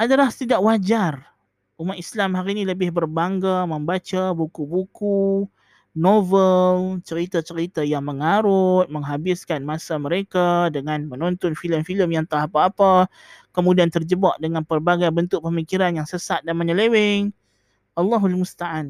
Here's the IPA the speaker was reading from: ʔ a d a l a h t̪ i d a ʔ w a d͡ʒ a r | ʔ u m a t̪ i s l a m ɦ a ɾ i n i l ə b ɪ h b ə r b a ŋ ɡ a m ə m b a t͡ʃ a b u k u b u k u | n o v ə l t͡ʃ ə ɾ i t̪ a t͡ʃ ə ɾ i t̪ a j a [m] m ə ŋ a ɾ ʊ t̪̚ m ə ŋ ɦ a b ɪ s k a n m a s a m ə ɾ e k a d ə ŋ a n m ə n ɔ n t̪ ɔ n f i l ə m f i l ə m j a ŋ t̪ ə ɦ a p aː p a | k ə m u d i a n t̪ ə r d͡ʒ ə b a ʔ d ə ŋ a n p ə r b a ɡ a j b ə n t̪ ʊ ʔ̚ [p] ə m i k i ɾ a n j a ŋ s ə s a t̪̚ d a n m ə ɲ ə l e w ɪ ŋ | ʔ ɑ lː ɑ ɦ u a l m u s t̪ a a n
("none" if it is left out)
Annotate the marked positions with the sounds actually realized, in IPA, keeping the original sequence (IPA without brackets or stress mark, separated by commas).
ŋ, p